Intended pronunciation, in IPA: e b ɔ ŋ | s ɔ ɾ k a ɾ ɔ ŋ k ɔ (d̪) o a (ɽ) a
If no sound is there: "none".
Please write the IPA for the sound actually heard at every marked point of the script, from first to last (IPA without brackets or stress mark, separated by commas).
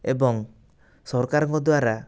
d̪, ɾ